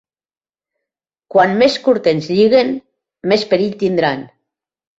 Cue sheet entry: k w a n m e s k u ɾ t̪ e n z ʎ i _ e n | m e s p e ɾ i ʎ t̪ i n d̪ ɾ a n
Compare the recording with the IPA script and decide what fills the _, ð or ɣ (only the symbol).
ɣ